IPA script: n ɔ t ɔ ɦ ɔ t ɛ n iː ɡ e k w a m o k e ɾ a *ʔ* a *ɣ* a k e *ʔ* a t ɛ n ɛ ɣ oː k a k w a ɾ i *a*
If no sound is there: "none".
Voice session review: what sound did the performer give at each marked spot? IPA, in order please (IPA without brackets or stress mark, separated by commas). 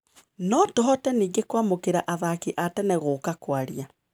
ʔ, ð, ʔ, a